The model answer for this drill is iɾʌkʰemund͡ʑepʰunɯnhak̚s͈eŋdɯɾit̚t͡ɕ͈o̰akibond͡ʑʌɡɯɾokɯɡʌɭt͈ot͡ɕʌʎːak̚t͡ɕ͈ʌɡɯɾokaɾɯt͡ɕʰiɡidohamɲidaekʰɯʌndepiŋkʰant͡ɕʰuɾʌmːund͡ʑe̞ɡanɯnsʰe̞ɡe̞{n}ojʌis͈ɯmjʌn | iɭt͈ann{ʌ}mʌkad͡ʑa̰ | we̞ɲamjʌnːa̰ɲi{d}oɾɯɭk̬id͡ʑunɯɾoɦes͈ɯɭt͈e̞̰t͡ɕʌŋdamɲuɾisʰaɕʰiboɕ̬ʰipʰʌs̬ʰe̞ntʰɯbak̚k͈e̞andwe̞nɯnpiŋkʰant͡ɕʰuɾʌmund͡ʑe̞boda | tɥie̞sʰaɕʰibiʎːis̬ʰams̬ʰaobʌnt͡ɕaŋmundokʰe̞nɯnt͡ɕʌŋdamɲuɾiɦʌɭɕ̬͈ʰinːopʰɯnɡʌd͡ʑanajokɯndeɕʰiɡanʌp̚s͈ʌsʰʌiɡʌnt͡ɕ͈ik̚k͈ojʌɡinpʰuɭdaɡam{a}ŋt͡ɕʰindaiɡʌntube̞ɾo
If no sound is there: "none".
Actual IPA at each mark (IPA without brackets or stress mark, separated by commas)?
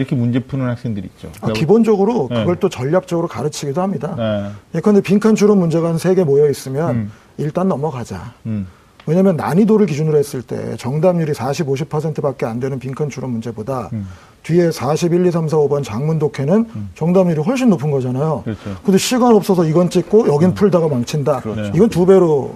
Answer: m, ʌ, d, a